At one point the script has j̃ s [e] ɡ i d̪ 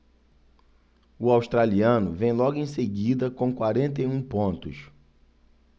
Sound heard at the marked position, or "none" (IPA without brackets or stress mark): e